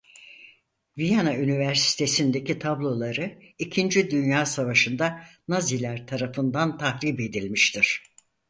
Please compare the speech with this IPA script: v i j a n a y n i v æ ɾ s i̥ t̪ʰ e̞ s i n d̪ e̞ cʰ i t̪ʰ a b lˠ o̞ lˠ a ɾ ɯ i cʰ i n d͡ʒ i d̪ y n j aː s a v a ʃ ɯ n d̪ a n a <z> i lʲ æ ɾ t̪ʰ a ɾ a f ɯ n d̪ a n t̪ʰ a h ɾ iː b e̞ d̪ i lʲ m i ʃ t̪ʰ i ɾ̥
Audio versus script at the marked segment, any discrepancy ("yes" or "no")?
no